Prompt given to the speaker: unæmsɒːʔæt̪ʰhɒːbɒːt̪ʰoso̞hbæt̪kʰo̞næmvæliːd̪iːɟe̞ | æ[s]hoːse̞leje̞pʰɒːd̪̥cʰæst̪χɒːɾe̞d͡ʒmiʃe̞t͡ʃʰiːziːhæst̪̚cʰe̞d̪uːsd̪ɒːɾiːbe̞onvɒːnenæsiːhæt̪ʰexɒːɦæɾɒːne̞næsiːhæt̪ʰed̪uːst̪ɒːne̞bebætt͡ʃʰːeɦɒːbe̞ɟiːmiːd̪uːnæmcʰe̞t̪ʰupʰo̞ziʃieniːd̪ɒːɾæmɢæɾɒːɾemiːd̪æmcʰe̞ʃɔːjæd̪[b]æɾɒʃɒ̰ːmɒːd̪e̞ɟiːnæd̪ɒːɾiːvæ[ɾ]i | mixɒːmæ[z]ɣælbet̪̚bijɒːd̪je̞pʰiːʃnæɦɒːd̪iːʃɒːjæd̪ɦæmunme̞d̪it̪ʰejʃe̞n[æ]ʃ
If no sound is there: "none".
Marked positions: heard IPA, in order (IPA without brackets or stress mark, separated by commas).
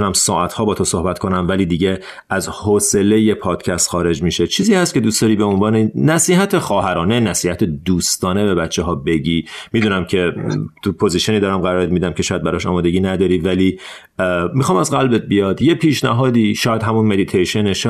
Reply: z, b, l, z, e